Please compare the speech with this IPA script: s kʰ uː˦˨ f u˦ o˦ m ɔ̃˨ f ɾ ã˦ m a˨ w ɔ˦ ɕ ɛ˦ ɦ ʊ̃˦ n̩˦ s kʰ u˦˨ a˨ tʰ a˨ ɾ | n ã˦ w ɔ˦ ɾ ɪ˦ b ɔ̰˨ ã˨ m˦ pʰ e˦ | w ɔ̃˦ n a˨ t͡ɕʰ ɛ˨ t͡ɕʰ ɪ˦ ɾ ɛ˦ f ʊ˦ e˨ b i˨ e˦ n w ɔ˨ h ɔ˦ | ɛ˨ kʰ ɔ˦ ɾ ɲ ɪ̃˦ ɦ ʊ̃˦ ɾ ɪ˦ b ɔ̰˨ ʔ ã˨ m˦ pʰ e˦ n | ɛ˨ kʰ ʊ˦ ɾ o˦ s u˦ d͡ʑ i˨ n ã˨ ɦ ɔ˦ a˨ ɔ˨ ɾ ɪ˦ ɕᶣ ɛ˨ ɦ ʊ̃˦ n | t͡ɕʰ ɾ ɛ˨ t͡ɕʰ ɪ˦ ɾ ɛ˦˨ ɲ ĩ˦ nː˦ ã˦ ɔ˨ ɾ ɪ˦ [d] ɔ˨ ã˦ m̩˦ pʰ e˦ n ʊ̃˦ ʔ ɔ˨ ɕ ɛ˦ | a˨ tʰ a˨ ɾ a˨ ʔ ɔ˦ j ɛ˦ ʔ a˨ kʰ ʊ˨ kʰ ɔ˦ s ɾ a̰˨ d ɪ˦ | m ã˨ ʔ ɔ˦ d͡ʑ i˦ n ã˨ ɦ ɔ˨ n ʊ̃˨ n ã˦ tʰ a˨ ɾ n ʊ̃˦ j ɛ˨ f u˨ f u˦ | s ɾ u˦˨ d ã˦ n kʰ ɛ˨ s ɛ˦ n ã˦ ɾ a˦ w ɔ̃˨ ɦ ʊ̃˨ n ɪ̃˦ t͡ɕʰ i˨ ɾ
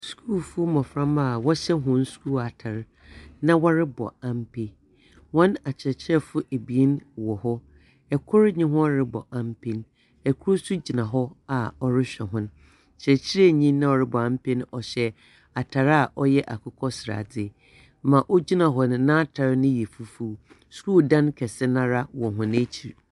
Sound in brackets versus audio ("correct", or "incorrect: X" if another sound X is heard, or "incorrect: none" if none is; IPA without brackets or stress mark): incorrect: b